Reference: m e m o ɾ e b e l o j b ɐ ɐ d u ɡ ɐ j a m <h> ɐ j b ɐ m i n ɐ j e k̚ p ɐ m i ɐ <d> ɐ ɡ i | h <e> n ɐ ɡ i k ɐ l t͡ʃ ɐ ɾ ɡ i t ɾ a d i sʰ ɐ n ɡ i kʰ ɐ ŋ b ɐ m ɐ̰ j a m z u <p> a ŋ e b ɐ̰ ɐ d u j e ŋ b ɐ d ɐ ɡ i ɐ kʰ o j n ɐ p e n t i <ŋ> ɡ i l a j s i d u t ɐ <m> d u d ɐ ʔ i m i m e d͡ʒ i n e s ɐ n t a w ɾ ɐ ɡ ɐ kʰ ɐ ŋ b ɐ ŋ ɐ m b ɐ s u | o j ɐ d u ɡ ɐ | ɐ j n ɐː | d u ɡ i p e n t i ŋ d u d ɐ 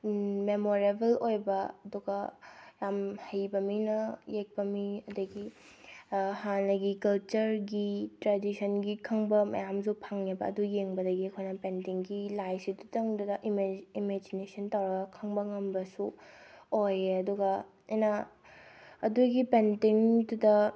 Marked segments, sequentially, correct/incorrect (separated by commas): correct, correct, incorrect, incorrect, correct, incorrect